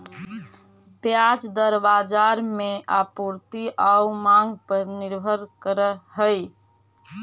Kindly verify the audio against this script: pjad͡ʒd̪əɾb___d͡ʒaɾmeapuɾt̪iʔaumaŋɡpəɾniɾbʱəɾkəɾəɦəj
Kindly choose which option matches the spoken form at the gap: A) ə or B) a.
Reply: B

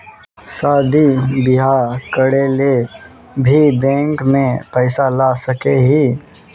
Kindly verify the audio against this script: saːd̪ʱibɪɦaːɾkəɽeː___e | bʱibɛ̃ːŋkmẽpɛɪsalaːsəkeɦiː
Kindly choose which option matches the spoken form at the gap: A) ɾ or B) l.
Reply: B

